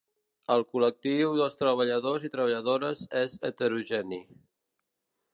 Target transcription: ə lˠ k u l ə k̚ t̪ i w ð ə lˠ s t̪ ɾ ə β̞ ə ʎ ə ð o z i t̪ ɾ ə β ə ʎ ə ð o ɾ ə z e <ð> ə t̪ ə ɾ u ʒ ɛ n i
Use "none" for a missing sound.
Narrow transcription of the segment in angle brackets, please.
z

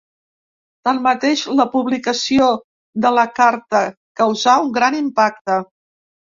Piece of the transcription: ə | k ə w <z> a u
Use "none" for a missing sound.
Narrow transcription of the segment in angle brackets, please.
z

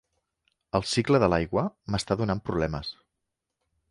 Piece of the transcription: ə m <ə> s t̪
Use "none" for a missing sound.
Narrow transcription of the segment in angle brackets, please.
ə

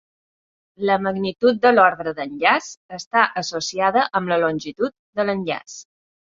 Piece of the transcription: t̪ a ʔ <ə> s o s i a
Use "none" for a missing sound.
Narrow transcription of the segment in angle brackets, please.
ə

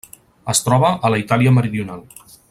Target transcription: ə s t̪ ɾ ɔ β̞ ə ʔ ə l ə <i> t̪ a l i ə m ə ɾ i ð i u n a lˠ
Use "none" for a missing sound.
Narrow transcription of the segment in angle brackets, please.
i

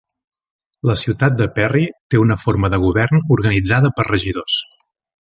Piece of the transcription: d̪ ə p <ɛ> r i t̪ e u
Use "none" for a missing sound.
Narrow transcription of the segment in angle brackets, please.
ɛ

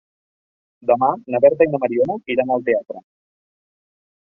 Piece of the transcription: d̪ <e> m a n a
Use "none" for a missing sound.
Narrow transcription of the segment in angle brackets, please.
a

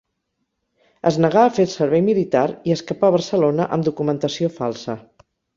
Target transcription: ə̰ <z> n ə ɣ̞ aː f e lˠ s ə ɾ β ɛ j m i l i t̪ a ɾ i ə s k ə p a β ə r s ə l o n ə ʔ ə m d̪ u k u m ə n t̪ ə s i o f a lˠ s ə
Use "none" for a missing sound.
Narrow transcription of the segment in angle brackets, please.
z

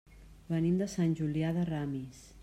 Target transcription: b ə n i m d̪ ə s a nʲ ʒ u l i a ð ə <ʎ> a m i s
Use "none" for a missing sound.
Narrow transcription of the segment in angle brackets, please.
r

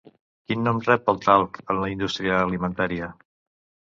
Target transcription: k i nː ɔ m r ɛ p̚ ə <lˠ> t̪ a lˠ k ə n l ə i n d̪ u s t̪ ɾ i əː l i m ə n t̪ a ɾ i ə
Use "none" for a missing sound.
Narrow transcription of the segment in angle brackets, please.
lˠ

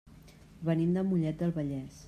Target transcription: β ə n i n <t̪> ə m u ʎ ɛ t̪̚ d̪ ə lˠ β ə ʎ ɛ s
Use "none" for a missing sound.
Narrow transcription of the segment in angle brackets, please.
d̪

